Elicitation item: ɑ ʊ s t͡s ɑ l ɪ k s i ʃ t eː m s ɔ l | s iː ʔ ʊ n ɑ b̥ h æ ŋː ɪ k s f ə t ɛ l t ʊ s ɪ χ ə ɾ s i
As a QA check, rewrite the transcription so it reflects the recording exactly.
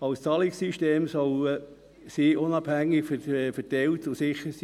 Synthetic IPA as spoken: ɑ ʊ s t͡s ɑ l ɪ k s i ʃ t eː m s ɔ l | s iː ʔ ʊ n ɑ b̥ h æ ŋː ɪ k f f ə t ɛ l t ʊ s ɪ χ ə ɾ s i